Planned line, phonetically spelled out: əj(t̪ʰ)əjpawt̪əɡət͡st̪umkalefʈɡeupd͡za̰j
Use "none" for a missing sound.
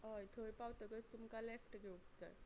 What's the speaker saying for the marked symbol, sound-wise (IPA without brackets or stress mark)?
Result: t̪ʰ